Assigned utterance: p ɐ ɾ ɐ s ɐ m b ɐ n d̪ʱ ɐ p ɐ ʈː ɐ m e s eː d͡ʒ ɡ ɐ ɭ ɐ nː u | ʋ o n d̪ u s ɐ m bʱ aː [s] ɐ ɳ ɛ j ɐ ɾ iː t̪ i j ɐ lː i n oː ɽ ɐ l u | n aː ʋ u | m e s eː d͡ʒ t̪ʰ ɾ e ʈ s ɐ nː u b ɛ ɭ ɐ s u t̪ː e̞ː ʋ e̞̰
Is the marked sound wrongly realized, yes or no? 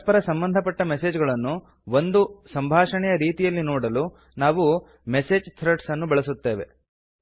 yes